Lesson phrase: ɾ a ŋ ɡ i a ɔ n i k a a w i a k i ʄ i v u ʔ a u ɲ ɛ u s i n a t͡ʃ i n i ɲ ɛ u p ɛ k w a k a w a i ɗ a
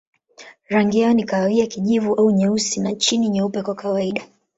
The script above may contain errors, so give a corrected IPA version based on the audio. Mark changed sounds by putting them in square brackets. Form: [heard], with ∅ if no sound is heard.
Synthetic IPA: ɾ a ŋ ɡ i a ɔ n i k a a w i a k i ʄ i v u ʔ a u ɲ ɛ u s i n a t͡ʃ i n i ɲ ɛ u p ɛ k w a k a w a i ɗ a